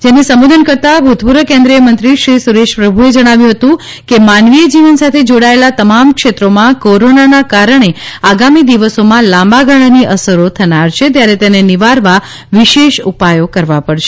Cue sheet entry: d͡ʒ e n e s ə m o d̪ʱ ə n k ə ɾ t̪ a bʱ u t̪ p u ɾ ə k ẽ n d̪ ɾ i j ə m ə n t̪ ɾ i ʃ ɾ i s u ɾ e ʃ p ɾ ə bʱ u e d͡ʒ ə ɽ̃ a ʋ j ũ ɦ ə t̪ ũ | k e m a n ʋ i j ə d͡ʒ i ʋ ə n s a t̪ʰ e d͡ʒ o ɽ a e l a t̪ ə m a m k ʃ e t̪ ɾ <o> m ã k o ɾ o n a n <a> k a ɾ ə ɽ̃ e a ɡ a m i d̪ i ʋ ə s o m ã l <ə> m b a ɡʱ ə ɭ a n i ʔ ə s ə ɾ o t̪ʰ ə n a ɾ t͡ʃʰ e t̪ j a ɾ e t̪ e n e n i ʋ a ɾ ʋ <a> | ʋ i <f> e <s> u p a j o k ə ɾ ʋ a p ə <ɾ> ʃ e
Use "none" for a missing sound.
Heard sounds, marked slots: o, a, a, a, ʃ, ʃ, ɽ

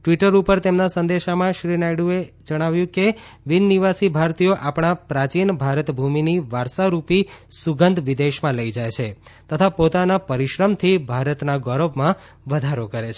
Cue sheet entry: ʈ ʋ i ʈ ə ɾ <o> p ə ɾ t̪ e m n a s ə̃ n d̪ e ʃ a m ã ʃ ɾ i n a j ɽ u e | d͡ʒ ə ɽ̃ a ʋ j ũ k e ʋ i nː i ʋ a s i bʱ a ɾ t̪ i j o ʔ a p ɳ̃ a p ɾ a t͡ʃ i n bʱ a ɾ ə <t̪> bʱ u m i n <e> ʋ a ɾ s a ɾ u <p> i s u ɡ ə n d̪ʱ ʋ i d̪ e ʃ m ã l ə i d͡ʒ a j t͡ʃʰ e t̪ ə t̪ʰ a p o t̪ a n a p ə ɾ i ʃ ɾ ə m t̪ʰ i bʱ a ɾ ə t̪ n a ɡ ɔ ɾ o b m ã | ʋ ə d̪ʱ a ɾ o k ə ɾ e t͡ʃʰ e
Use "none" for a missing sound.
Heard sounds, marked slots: u, t̪, i, p

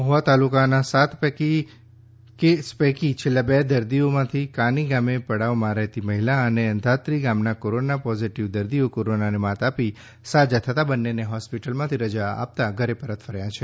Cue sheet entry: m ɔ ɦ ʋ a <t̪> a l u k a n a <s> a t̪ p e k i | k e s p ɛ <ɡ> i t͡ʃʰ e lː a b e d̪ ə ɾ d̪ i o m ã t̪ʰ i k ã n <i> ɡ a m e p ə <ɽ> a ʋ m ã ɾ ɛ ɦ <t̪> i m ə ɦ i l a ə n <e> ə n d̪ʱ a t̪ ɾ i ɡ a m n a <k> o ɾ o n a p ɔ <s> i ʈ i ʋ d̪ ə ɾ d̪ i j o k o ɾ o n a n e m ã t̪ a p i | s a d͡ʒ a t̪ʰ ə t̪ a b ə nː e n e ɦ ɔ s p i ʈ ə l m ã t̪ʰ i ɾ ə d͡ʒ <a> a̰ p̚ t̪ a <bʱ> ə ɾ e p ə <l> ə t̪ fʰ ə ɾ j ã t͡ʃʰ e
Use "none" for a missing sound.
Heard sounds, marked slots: t̪, s, k, i, ɽ, t̪, e, k, z, a, ɡʱ, ɾ

